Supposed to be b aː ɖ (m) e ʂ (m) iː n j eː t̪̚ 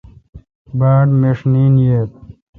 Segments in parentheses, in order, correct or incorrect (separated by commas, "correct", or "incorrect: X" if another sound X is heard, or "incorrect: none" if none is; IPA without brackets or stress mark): correct, incorrect: n